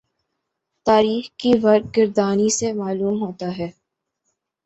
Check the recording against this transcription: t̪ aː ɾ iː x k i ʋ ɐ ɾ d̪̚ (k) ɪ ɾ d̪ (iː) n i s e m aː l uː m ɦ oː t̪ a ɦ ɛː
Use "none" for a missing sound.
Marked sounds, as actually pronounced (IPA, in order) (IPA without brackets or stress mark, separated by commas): ɡ, aː